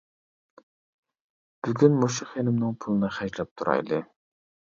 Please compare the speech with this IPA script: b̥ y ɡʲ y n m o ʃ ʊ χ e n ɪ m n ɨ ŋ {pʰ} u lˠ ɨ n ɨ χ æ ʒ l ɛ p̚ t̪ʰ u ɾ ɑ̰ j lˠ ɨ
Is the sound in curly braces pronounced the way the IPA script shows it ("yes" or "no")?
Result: yes